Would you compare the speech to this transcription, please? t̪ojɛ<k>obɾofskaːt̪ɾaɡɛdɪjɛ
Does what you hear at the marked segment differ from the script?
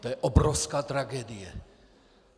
yes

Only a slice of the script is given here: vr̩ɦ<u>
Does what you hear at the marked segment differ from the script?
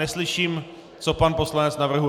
no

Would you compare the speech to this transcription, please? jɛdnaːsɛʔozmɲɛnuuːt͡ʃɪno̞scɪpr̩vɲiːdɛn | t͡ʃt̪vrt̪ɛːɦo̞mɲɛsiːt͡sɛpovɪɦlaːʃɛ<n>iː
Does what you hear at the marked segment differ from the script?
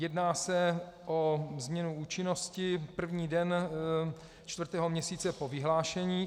yes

